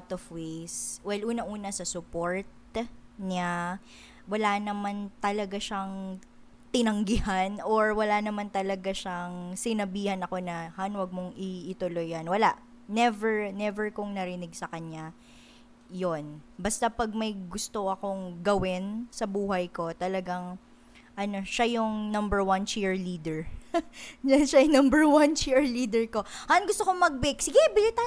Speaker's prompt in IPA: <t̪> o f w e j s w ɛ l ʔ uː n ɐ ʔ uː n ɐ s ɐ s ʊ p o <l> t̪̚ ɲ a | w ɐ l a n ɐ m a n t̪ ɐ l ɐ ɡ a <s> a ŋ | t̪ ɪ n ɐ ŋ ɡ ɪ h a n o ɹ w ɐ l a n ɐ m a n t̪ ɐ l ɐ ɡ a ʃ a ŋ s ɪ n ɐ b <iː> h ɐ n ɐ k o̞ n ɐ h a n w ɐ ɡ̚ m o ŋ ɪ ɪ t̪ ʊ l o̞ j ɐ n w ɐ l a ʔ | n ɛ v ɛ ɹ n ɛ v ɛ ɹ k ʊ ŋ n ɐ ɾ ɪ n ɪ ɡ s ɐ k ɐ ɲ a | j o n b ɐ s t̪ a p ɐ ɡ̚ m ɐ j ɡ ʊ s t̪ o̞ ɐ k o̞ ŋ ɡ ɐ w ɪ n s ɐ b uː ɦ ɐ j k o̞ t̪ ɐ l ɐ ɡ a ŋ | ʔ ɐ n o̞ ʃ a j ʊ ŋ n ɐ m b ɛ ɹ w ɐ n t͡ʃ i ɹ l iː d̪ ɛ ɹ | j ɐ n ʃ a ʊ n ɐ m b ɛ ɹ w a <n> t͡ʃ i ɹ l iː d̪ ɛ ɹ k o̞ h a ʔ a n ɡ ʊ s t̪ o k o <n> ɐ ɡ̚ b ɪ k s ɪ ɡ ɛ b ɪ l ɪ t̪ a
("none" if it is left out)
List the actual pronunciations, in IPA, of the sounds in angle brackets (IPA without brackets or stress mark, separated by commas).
t̪, ɹ, ʃ, iː, n, m